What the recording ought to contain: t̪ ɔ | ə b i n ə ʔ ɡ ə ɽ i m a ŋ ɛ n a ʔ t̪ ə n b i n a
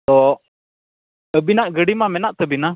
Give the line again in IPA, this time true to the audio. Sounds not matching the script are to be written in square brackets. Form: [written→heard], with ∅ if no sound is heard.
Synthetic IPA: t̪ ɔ | ə b i n [ə→a] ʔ ɡ ə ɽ i m a [ŋ→m] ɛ n a ʔ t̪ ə [n→∅] b i n a